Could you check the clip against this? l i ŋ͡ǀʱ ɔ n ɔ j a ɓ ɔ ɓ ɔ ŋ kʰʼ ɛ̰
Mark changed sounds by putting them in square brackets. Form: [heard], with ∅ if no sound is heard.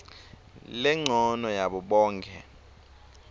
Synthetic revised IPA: l [ɛ] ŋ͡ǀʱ ɔ n ɔ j a ɓ ɔ ɓ [ɔː] ŋ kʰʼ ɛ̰